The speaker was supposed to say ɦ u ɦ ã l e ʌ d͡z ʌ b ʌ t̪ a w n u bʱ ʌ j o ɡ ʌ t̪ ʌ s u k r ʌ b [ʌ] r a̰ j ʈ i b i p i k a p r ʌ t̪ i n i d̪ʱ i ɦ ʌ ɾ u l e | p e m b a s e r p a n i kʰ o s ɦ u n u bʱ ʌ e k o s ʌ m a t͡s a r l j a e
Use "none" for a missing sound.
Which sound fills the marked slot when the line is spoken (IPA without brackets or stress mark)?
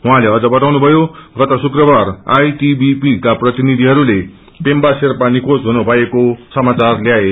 a